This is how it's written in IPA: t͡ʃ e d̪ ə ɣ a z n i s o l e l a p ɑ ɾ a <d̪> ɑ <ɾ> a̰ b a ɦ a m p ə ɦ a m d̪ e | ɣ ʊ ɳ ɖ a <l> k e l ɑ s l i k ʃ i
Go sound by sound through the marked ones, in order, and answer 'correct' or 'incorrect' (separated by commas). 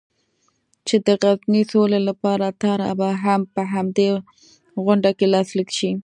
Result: incorrect, correct, incorrect